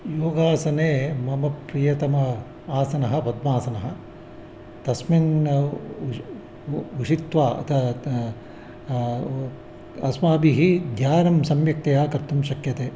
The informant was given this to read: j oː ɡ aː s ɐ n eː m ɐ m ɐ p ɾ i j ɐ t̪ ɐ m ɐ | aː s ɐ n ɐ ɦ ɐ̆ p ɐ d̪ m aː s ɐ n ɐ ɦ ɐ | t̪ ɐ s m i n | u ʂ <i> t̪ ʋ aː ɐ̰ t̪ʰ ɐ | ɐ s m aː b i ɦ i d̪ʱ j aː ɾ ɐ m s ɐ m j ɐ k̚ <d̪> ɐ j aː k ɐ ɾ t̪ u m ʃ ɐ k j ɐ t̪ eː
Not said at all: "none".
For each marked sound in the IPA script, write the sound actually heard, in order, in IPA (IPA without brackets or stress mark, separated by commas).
i, t̪